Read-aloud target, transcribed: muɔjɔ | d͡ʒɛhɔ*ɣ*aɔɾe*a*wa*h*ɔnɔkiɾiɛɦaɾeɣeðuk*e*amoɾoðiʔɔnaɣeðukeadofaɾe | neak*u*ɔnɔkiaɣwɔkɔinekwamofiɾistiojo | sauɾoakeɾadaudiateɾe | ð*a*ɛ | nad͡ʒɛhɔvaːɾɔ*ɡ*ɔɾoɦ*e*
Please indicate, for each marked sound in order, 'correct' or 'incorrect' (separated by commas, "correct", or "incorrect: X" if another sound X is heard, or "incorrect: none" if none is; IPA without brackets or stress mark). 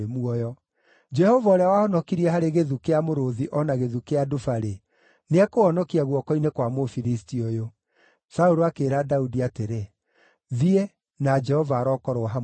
incorrect: v, correct, correct, correct, incorrect: o, incorrect: i, incorrect: k, incorrect: a